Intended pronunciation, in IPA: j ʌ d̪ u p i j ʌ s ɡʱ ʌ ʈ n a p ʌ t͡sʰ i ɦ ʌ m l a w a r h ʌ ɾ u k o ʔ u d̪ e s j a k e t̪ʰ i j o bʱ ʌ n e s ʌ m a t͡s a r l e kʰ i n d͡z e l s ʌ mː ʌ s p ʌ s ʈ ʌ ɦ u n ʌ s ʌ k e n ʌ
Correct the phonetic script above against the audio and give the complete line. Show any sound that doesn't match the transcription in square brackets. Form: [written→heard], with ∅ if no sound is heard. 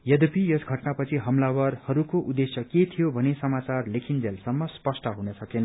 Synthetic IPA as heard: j ʌ d̪ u p i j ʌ s ɡʱ ʌ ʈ n a p ʌ t͡sʰ i ɦ ʌ m l a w [a→ʌ] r h ʌ ɾ u k o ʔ u d̪ e s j [a→ʌ] k e t̪ʰ i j o bʱ ʌ n e s ʌ m a t͡s a r l e kʰ i n d͡z e l s ʌ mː ʌ s p ʌ s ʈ ʌ ɦ u n ʌ s ʌ k e n ʌ